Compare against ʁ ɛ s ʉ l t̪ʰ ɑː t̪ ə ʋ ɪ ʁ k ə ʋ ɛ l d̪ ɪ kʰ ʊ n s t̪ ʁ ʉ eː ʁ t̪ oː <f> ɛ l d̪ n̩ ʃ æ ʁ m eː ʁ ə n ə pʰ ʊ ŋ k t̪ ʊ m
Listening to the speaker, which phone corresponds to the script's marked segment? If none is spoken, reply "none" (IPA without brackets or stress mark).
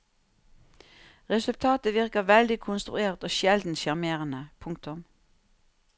ʃ